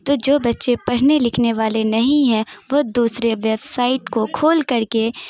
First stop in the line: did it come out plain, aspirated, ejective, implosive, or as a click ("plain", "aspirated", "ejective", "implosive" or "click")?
plain